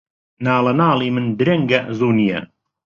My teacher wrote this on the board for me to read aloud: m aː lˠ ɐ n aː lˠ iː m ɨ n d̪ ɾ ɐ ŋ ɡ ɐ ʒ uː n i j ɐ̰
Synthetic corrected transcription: n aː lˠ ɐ n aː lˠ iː m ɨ n d̪ ɾ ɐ ŋ ɡ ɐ z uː n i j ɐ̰